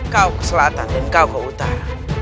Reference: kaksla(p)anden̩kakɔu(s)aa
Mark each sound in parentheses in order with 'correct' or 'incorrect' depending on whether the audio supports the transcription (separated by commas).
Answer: incorrect, incorrect